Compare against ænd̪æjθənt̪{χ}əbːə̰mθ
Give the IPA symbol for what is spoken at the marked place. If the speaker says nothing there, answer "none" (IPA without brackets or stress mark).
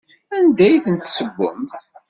s